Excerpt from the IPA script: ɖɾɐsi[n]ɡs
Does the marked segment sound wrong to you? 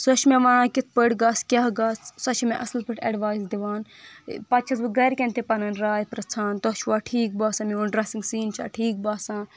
yes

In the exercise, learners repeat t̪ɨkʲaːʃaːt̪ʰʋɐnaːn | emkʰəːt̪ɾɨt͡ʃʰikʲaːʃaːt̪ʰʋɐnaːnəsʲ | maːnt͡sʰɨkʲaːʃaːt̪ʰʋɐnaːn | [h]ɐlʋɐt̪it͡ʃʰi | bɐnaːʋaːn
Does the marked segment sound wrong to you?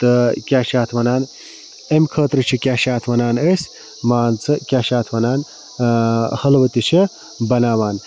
no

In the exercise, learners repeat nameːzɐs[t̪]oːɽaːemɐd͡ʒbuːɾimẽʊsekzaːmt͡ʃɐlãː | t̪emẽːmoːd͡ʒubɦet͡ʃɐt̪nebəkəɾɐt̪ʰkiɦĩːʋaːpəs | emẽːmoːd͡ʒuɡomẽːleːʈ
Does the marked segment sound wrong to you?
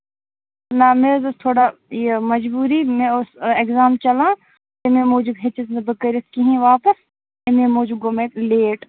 yes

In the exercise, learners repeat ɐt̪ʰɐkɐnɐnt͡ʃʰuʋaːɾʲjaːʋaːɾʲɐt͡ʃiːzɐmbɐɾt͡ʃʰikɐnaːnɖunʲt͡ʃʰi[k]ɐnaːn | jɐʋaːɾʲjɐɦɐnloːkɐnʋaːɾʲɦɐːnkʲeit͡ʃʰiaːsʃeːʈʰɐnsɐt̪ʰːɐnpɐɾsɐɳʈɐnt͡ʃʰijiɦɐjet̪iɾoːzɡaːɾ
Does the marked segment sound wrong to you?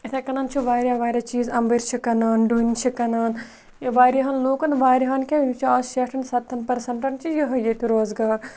no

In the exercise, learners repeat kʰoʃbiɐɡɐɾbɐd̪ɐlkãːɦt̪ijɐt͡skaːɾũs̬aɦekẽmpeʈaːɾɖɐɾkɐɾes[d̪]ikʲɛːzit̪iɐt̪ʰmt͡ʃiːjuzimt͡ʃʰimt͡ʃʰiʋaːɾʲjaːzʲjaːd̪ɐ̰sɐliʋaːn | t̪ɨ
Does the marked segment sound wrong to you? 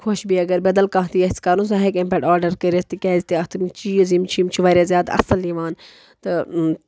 yes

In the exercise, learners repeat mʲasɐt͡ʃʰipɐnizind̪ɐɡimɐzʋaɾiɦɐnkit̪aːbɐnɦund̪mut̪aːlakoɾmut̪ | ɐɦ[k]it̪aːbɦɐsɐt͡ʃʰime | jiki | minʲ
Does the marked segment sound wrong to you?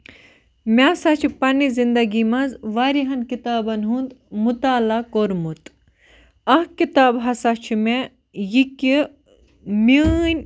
no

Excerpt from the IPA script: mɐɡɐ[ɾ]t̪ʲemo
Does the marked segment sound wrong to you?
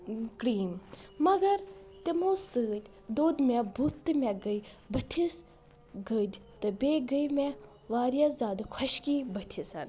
no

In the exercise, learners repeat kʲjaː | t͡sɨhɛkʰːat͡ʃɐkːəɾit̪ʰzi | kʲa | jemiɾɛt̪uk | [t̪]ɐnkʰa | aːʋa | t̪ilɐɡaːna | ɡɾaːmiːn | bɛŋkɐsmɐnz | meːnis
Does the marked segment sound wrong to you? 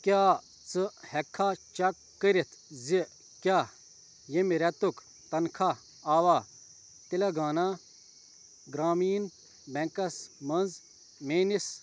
no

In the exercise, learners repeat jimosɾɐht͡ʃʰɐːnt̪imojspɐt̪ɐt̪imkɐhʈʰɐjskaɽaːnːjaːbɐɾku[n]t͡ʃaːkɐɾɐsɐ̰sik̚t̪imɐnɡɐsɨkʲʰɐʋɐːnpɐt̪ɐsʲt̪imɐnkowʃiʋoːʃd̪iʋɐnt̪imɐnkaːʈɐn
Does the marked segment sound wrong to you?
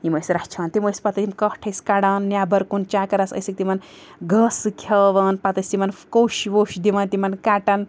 no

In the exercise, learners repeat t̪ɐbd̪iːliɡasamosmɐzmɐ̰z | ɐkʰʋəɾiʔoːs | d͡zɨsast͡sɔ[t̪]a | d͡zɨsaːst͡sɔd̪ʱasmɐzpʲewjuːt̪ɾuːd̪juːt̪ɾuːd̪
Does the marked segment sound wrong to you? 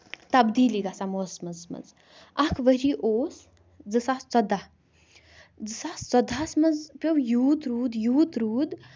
yes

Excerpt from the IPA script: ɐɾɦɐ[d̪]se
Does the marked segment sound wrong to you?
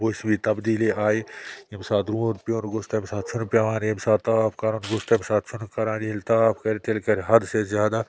no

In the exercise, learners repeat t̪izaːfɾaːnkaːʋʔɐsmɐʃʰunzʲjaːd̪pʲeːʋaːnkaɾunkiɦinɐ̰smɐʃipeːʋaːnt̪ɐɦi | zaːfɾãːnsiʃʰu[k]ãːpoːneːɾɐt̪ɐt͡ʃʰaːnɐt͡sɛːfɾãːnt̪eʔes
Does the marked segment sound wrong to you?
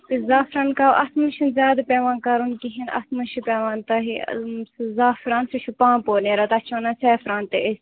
yes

